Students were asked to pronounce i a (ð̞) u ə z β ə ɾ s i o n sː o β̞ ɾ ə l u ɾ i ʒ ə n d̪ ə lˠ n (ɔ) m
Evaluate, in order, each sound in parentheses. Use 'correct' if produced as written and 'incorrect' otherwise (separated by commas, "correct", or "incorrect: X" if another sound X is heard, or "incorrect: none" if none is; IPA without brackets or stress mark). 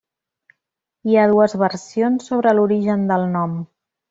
correct, correct